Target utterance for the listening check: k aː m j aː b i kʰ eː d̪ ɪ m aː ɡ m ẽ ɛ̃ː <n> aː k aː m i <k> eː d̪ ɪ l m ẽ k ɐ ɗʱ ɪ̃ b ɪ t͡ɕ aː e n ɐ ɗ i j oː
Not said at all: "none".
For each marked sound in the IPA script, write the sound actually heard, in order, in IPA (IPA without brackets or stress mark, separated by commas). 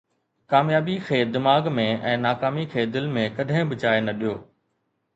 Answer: n, kʰ